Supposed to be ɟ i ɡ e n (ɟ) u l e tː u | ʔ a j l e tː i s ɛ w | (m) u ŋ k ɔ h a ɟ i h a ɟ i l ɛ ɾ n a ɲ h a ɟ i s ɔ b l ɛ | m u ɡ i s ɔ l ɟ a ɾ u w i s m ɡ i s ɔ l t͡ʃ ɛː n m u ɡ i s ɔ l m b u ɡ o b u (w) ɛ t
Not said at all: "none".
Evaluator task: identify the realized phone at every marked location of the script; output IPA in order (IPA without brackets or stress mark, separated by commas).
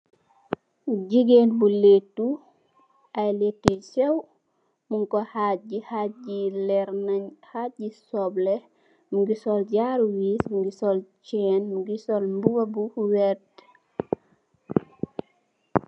b, m, w